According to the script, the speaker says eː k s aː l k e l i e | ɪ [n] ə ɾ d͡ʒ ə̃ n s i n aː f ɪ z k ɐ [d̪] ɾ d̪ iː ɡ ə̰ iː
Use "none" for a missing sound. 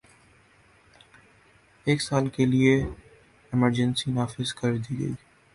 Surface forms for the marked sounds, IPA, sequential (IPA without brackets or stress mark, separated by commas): m, none